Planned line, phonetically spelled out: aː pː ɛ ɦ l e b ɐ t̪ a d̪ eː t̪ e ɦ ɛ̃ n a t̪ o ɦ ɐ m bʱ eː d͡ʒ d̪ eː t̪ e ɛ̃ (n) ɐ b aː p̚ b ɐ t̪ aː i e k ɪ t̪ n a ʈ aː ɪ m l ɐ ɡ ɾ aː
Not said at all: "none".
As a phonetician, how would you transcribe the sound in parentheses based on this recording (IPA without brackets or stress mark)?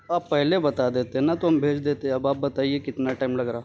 none